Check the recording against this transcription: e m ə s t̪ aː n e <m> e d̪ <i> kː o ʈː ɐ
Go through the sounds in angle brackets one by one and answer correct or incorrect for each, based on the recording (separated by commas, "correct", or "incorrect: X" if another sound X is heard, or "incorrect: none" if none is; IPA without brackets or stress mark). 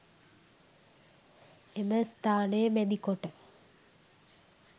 correct, correct